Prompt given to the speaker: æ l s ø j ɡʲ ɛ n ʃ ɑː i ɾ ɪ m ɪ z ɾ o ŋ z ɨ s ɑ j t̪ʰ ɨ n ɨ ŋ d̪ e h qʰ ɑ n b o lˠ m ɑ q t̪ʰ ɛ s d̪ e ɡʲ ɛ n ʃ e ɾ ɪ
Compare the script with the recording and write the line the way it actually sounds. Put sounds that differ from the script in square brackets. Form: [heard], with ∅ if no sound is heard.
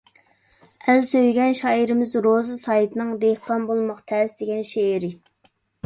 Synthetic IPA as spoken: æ l s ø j ɡʲ ɛ n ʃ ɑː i ɾ ɪ m ɪ z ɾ o [∅] z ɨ s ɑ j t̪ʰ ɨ n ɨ ŋ d̪ e h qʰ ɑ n b o lˠ m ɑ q t̪ʰ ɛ s d̪ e ɡʲ ɛ n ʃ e ɾ ɪ